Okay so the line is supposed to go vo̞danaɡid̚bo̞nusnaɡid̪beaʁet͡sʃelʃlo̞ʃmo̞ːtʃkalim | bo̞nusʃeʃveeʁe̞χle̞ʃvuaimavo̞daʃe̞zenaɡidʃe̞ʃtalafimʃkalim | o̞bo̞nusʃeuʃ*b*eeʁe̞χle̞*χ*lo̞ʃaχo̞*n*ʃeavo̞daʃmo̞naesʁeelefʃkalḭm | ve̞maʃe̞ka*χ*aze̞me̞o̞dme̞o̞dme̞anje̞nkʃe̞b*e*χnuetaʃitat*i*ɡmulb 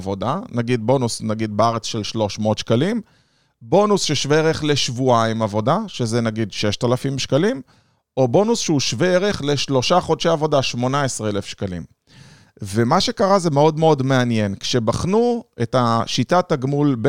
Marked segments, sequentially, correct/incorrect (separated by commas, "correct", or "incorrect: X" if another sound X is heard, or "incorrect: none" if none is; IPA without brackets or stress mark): incorrect: v, incorrect: ʃ, incorrect: d, incorrect: ʁ, incorrect: a, incorrect: a